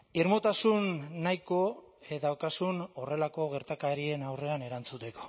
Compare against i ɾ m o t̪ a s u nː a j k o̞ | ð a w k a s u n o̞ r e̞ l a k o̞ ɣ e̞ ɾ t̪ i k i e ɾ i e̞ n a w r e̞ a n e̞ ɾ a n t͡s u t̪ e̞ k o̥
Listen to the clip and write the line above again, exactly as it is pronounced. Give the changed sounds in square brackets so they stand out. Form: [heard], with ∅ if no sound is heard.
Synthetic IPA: i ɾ m o t̪ a s u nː a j k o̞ | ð a w k a s u n o̞ r e̞ l a k o̞ ɣ e̞ ɾ t̪ [a] k [a] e ɾ i e̞ n a w r e̞ a n e̞ ɾ a n t͡s u t̪ e̞ k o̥